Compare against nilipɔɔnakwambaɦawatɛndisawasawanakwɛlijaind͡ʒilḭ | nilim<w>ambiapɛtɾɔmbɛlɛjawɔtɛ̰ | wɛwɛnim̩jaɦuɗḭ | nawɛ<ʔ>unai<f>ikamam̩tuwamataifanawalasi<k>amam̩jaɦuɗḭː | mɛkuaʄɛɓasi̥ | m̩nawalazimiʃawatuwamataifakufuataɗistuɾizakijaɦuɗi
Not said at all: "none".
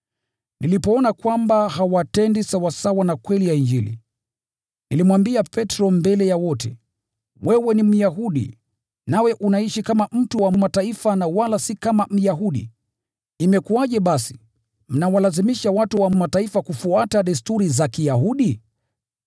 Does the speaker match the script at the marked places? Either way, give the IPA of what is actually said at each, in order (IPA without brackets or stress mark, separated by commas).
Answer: w, ʔ, ʃ, k